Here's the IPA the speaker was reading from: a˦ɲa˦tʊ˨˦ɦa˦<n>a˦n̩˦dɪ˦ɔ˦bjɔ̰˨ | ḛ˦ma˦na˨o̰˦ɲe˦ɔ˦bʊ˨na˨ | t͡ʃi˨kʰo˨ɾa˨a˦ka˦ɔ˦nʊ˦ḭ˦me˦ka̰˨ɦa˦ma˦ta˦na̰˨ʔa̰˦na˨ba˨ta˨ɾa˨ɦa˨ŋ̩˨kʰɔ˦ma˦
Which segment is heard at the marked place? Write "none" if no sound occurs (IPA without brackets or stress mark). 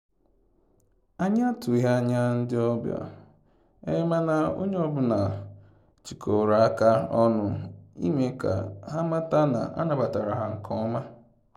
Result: ɲ